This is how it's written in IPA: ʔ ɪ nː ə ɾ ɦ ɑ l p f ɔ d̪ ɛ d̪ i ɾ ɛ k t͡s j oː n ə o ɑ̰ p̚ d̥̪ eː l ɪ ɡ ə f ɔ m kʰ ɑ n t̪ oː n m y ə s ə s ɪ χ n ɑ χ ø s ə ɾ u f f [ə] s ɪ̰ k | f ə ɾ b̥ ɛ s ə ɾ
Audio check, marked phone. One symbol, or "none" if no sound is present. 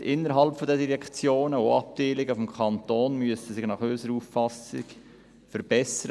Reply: ɑ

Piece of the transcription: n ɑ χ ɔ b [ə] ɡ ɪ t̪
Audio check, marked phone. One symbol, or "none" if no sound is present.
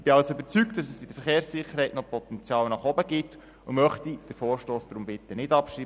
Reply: ə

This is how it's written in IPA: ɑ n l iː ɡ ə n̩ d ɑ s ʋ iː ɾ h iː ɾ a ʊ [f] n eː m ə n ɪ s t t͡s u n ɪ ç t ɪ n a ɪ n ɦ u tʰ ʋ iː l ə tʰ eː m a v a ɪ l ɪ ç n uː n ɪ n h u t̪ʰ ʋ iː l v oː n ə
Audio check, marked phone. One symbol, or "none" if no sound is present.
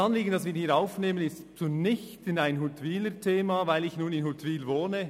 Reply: f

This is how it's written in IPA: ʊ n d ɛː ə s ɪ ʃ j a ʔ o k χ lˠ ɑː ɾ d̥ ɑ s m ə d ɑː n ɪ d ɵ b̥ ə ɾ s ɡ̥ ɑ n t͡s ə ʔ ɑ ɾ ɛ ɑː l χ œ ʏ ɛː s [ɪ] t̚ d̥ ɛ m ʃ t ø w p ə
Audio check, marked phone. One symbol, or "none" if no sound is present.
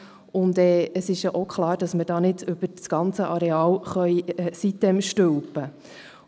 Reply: i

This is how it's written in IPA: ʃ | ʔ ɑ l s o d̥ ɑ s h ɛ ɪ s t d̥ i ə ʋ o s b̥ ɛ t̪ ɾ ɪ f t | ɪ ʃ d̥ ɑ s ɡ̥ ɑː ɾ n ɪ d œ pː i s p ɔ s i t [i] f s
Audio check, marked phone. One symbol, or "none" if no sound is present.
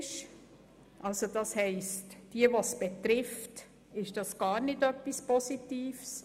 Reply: iː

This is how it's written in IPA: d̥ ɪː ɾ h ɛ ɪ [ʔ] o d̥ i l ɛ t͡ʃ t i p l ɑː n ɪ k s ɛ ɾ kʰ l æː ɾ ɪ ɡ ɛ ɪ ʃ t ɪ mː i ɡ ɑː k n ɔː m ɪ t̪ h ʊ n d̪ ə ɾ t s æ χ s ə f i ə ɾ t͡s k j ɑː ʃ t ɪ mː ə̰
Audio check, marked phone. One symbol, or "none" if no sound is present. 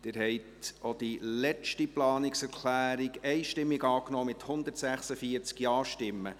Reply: t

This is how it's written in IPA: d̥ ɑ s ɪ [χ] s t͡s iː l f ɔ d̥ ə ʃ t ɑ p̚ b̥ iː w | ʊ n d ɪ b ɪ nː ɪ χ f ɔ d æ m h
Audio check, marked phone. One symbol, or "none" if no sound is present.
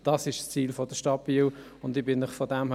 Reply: ʃ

